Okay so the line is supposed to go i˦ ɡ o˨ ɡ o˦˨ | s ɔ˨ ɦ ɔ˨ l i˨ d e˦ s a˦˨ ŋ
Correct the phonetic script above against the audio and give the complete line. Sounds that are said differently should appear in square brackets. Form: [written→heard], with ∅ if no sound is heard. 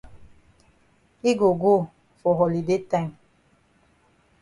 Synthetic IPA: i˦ ɡ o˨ ɡ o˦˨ | [s→f] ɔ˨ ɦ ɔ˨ l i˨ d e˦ [s→t] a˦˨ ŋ